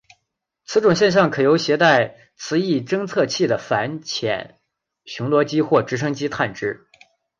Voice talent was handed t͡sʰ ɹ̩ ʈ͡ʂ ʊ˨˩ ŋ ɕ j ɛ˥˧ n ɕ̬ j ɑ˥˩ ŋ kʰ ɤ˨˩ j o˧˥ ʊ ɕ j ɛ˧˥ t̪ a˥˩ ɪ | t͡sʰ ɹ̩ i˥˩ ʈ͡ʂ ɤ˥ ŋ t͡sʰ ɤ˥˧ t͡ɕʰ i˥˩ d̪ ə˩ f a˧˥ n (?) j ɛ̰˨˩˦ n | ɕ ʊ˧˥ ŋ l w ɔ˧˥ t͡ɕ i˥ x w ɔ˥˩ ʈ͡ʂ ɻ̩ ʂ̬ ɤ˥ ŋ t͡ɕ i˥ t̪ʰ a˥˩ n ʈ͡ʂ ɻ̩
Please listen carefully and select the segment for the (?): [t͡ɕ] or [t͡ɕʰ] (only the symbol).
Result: t͡ɕʰ